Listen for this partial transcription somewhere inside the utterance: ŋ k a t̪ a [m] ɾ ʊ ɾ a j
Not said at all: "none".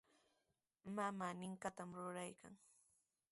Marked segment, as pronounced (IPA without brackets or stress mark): m